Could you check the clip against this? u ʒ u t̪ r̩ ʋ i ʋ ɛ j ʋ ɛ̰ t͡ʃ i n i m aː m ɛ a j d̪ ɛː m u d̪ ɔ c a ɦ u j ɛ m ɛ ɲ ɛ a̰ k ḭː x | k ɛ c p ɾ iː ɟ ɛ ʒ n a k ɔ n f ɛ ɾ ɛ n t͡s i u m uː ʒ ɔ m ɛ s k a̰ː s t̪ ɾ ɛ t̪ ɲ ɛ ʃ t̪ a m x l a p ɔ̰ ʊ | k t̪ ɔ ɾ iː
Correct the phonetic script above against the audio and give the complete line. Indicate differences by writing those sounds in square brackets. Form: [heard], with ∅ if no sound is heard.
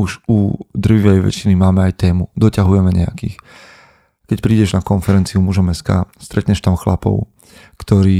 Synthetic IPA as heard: u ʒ u [d̪] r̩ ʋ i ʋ ɛ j ʋ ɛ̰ t͡ʃ i n i m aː m ɛ a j [t̪] ɛː m u d̪ ɔ c a ɦ u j ɛ m ɛ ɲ ɛ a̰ k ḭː x | k ɛ c p ɾ iː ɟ ɛ ʒ n a k ɔ n f ɛ ɾ ɛ n t͡s i u m [u] ʒ ɔ m ɛ s k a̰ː s t̪ ɾ ɛ t̪ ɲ ɛ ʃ t̪ a m x l a p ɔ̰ ʊ | k t̪ ɔ ɾ iː